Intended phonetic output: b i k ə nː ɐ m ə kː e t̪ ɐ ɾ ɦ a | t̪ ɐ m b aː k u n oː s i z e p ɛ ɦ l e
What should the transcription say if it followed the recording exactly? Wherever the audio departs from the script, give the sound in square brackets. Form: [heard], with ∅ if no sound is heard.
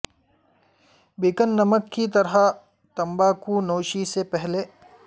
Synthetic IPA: b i k ə nː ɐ m ə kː [i] t̪ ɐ ɾ ɦ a | t̪ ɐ m b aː k u n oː [ʃ] i [s] e p ɛ ɦ l e

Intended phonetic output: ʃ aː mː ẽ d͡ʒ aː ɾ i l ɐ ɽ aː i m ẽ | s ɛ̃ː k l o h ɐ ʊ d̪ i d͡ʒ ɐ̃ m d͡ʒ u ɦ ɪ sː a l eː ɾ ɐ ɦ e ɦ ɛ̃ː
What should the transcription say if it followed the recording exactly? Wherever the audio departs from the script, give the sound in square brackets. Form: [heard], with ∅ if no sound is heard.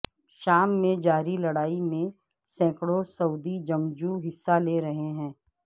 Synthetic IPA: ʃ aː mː ẽ d͡ʒ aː ɾ i l ɐ ɽ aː i m ẽ | s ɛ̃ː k [ɽ] o [s] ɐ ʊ d̪ i d͡ʒ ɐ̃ m d͡ʒ u ɦ ɪ sː a l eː ɾ ɐ ɦ e ɦ ɛ̃ː

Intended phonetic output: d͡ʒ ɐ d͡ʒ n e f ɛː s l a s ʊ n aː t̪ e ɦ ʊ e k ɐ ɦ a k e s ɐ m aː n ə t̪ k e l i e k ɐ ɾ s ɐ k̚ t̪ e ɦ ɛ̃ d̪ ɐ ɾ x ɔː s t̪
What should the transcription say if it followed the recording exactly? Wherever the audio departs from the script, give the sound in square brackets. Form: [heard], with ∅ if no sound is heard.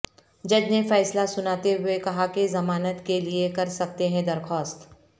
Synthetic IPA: d͡ʒ ɐ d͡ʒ n e f ɛː s l a s ʊ n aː t̪ e ɦ ʊ e k ɐ ɦ a k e [z] ɐ m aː n ə t̪ k e l i e k ɐ ɾ s ɐ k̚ t̪ e ɦ ɛ̃ d̪ ɐ ɾ x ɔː s t̪

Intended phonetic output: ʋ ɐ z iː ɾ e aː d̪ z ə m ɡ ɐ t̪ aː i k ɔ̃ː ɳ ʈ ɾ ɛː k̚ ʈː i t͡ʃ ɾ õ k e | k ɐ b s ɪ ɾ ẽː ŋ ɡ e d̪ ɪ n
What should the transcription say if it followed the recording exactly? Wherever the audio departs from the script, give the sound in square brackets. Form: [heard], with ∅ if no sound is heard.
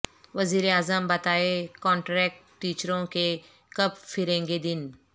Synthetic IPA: ʋ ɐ z iː ɾ e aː [∅] z ə m [b] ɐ t̪ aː [e] k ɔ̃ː ɳ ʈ ɾ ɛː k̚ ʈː [iː] t͡ʃ ɾ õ k e | k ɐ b [f] ɪ ɾ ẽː ŋ ɡ e d̪ ɪ n

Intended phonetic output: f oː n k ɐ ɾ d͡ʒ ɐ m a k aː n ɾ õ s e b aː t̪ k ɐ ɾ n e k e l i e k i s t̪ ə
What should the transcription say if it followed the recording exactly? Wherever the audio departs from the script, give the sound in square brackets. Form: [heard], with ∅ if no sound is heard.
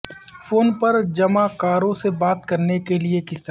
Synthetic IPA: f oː n [p] ɐ ɾ d͡ʒ ɐ m a k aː [∅] ɾ õ s e b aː t̪ k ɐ ɾ n e k e l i e k [ɪ] s t̪ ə

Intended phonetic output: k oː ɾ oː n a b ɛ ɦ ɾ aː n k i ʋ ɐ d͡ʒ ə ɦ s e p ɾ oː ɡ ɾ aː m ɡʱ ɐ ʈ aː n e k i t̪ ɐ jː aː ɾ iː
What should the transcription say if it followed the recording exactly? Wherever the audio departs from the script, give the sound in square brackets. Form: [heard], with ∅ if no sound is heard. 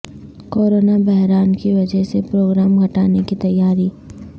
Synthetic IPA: k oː ɾ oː n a b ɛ ɦ ɾ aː n k i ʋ ɐ d͡ʒ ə ɦ s e p ɾ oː ɡ ɾ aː m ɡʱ ɐ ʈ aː n e k i t̪ ɐ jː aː ɾ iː

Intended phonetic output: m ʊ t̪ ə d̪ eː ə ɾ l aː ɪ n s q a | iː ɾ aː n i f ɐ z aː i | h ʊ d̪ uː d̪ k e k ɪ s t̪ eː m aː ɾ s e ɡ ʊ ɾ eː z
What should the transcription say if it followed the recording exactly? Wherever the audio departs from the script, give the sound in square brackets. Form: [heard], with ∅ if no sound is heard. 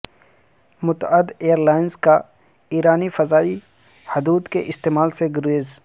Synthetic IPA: m ʊ t̪ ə d̪ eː ə ɾ l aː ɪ n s [k] a | iː ɾ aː n i f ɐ z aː i | h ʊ d̪ uː d̪ k e [ʔ] ɪ s t̪ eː m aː [l] s e ɡ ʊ ɾ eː z

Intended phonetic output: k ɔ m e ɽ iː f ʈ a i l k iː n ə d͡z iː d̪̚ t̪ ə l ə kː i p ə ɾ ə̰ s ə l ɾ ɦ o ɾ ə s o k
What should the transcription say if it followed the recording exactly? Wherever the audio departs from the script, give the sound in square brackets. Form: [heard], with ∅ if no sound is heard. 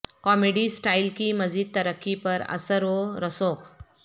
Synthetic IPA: k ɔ m e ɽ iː [s] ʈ a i l k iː [m] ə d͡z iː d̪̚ t̪ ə [ɾ] ə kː i p ə ɾ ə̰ s ə [∅] ɾ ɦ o ɾ ə s o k

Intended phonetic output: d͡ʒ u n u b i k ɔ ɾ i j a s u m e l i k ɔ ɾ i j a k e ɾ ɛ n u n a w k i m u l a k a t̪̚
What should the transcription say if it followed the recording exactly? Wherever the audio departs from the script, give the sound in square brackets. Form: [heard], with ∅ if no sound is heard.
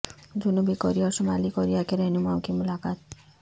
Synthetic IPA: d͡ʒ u n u b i k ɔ ɾ i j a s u m [a] l i k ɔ ɾ i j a k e ɾ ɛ n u [m] a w k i m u l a k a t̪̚

